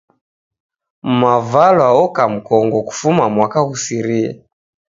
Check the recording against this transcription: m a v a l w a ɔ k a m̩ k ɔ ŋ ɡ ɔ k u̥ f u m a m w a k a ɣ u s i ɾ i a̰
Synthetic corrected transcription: m a v a l w a ɔ k a m̩ k ɔ ŋ ɡ ɔ k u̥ f u m a m w a k a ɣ u s i ɾ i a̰